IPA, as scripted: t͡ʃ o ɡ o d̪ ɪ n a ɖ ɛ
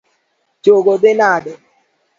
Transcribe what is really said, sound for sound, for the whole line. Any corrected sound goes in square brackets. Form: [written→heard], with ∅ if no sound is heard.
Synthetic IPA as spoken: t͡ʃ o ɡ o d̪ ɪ n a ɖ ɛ